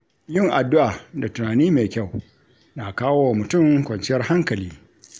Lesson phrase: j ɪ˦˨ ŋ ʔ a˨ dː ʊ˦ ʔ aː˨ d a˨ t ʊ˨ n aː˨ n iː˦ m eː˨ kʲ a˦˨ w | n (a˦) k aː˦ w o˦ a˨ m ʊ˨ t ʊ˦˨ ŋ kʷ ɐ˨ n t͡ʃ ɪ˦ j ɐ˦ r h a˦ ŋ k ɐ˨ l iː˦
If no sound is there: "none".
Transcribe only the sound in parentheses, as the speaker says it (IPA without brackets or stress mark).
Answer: a˨